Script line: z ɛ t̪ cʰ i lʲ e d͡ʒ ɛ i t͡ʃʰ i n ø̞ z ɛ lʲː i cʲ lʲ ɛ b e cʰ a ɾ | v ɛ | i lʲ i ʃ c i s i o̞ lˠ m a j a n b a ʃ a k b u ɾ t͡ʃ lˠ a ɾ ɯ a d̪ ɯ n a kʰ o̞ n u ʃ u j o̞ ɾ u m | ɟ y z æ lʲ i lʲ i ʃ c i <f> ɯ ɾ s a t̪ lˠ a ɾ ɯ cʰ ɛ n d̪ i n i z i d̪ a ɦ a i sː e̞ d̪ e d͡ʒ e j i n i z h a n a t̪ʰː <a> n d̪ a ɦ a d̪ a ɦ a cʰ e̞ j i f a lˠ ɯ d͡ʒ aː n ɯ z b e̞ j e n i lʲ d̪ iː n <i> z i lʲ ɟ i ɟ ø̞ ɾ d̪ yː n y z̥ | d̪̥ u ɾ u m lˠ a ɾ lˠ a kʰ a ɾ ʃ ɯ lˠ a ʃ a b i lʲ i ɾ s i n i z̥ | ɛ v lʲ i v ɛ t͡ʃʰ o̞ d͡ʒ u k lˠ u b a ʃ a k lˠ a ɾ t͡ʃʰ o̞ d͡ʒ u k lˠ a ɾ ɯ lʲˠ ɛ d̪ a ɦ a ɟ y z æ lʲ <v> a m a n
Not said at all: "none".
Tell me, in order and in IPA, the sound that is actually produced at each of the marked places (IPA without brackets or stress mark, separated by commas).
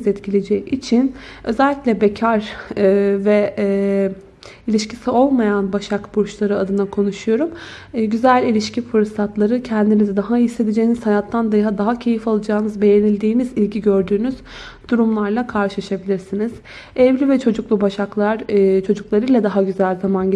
f, a, i, z